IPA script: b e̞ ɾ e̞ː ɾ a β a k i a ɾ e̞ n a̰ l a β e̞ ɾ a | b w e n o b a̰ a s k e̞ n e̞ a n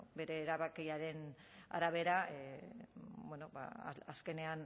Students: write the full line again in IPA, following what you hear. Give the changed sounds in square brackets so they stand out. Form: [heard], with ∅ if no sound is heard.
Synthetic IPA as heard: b e̞ ɾ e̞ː ɾ a β a k i a ɾ e̞ n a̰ [ɾ] a β e̞ ɾ a | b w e n o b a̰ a s k e̞ n e̞ a n